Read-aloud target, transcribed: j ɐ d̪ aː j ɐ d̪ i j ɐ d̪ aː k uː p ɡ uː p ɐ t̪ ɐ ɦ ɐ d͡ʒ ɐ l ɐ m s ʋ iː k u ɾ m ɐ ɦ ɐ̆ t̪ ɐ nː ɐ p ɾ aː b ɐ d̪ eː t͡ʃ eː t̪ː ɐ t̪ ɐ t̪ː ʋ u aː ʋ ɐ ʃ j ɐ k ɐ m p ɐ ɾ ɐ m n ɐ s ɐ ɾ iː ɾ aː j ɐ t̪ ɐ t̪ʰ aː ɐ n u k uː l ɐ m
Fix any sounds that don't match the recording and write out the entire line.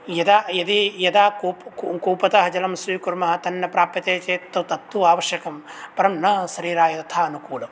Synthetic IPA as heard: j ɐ d̪ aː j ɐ d̪ i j ɐ d̪ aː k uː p k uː p ɐ t̪ ɐ ɦ ɐ d͡ʒ ɐ l ɐ m s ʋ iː k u ɾ m ɐ ɦ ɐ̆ t̪ ɐ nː ɐ p ɾ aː p ɐ t̪ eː t͡ʃ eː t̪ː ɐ t̪ ɐ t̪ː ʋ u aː ʋ ɐ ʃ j ɐ k ɐ m p ɐ ɾ ɐ m n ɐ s ɐ ɾ iː ɾ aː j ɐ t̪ ɐ t̪ʰ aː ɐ n u k uː l ɐ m